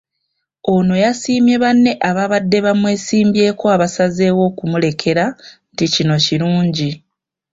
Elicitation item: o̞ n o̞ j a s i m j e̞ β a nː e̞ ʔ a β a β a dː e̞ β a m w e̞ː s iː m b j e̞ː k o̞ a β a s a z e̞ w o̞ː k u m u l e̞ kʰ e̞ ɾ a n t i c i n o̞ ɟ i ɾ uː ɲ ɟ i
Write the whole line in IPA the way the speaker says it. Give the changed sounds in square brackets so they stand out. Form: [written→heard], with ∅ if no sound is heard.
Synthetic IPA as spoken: o̞ n o̞ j a s [i→iː] m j e̞ β a nː e̞ ʔ a β a β a dː e̞ β a m w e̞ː s iː m b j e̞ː k o̞ a β a s a z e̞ w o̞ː k u m u l e̞ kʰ e̞ ɾ a n t i c i n o̞ [ɟ→c] i ɾ uː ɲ ɟ i